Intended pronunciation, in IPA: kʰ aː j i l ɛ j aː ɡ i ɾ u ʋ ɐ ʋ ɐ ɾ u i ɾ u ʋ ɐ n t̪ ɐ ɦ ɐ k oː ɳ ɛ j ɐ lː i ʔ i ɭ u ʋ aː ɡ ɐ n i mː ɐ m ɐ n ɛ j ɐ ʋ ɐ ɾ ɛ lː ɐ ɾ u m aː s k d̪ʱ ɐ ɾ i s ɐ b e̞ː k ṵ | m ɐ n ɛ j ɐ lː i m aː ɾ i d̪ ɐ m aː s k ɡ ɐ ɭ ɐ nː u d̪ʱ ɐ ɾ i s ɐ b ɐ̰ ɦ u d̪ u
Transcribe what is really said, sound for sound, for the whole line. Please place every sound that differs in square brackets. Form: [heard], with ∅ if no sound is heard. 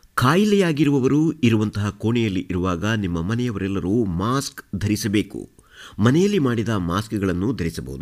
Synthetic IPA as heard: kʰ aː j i l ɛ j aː ɡ i ɾ u ʋ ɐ ʋ ɐ ɾ u i ɾ u ʋ ɐ n t̪ ɐ ɦ ɐ k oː ɳ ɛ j ɐ lː i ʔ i [ɾ] u ʋ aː ɡ ɐ n i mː ɐ m ɐ n ɛ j ɐ ʋ ɐ ɾ ɛ lː ɐ ɾ u m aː s k d̪ʱ ɐ ɾ i s ɐ b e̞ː k ṵ | m ɐ n ɛ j ɐ lː i m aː [ɽ] i d̪ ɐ m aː s k ɡ ɐ ɭ ɐ nː u d̪ʱ ɐ ɾ i s ɐ b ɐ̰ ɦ u d̪ u